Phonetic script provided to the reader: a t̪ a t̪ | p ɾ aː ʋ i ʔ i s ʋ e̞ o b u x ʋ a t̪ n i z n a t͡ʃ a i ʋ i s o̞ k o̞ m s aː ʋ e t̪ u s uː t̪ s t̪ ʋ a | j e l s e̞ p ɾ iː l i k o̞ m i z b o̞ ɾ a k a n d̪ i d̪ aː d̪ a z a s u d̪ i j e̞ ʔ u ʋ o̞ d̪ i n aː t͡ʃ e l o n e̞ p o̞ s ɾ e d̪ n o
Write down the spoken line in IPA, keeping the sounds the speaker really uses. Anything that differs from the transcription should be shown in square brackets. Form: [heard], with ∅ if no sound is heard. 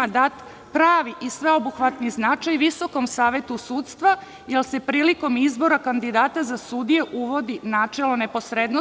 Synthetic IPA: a [d̪] a t̪ | p ɾ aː ʋ i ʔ i s ʋ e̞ o b u x ʋ a t̪ n i z n a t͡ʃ a [j] ʋ i s o̞ k o̞ m s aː ʋ e t̪ u s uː t̪ s t̪ ʋ a | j e l s e̞ p ɾ iː l i k o̞ m i z b o̞ ɾ a k a n d̪ i d̪ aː [t̪] a z a s u d̪ i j e̞ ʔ u ʋ o̞ d̪ i n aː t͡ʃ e l o n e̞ p o̞ s ɾ e d̪ n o